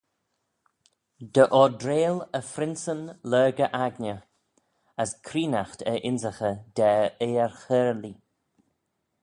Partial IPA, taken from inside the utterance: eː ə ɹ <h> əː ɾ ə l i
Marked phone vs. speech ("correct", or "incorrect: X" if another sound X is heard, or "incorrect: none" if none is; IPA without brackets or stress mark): incorrect: x